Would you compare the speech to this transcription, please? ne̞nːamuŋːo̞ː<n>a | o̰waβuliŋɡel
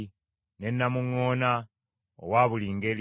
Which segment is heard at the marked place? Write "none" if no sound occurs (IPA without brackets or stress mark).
n